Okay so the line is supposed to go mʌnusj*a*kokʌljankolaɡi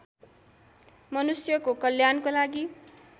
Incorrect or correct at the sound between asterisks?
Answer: incorrect: ʌ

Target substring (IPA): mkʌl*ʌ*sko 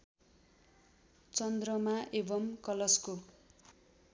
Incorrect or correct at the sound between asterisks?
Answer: correct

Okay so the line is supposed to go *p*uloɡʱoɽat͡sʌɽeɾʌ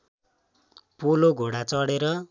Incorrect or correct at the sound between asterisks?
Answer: correct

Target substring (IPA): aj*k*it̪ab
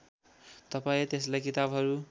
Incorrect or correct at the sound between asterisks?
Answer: correct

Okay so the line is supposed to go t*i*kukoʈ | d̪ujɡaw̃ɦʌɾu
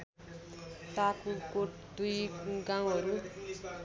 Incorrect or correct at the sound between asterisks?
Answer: incorrect: a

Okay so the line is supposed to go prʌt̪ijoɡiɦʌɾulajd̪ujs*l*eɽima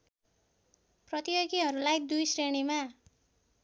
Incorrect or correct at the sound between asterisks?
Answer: incorrect: r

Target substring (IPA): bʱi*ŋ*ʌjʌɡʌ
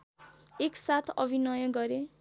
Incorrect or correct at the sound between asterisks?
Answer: incorrect: n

